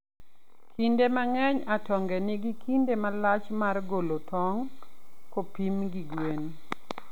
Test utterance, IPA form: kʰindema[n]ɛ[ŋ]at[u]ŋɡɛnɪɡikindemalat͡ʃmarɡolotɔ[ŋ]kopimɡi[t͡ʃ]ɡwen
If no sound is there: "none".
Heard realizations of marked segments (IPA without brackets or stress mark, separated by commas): ŋ, ɲ, ɔ, ŋ, none